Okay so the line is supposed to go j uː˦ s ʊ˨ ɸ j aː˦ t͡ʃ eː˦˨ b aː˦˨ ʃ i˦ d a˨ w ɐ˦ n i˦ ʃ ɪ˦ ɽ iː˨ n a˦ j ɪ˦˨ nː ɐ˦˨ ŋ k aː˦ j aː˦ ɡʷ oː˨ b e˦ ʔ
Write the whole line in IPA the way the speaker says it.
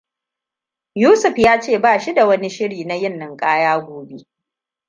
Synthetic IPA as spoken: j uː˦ s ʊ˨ ɸ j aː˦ t͡ʃ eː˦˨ b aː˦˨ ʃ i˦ d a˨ w ɐ˦ n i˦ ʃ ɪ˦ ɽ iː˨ n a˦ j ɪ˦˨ nː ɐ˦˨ ŋ kʼ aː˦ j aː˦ ɡʷ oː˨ b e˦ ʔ